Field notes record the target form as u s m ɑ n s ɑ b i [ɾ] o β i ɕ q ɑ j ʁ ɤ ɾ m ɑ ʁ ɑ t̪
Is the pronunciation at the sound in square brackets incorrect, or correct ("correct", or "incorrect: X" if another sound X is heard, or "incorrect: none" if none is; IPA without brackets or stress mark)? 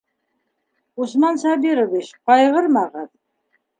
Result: correct